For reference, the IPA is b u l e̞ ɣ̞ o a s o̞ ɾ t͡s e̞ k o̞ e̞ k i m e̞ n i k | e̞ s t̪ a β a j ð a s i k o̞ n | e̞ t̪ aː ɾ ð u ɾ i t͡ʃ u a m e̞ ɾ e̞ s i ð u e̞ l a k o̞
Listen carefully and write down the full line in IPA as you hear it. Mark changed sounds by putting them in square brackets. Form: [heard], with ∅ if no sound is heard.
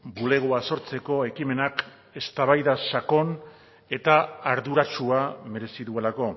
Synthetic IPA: b u l e̞ ɣ̞ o a s o̞ ɾ t͡s e̞ k o̞ e̞ k i m e̞ n [a] k | e̞ s t̪ a β a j ð a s [a] k o̞ n | e̞ t̪ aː ɾ ð u ɾ [a] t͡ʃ u a m e̞ ɾ e̞ s i ð u e̞ l a k o̞